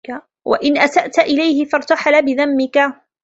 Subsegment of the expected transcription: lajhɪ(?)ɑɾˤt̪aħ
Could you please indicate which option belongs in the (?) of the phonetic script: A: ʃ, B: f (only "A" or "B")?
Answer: B